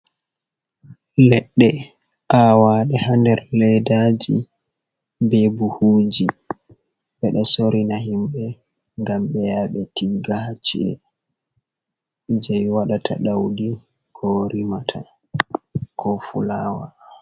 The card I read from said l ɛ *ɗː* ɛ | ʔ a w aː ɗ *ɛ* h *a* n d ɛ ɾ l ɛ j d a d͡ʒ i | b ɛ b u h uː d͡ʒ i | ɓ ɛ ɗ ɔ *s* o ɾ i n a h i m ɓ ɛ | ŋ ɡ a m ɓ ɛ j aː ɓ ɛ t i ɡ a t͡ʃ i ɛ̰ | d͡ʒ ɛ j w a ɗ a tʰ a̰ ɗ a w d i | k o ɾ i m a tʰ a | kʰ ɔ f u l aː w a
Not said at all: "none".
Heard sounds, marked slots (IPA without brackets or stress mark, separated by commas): ɗː, ɛ, a, s